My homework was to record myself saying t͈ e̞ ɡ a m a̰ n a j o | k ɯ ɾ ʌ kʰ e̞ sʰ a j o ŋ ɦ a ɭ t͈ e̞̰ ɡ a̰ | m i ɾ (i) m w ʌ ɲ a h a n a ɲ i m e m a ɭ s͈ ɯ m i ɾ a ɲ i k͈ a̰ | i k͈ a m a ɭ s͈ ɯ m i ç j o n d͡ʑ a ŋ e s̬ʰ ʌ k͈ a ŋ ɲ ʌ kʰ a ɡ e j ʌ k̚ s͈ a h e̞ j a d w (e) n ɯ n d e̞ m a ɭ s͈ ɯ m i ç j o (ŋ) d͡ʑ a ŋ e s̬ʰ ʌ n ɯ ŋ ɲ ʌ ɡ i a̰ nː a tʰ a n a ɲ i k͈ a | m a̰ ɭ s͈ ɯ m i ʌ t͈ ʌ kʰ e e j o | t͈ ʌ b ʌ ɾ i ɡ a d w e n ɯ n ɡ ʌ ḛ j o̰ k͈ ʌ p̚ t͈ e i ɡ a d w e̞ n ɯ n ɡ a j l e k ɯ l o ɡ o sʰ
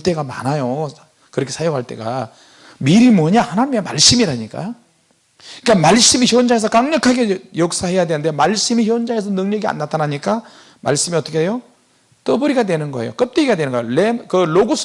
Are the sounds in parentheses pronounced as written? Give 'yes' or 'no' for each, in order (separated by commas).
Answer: yes, yes, no